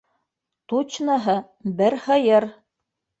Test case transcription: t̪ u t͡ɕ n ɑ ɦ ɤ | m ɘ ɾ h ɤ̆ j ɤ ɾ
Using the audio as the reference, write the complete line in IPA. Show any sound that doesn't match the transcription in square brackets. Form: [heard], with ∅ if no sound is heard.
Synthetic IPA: t̪ u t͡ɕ n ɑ ɦ ɤ | [b] ɘ ɾ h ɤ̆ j ɤ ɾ